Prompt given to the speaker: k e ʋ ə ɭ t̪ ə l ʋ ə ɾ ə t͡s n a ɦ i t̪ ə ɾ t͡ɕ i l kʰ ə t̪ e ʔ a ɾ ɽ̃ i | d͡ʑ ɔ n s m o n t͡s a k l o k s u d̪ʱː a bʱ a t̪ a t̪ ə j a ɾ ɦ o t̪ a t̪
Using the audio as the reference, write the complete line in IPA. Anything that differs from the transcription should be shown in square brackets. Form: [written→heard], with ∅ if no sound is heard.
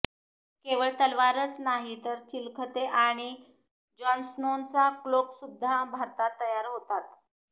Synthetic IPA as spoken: k e ʋ ə ɭ t̪ ə l ʋ [ə→a] ɾ ə t͡s n a ɦ i t̪ ə ɾ t͡ɕ i l kʰ ə t̪ e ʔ a [ɾ→∅] ɽ̃ i | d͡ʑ ɔ n s [m→n] o n t͡s a k l o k s u d̪ʱː a bʱ a t̪ a t̪ ə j a ɾ ɦ o t̪ a t̪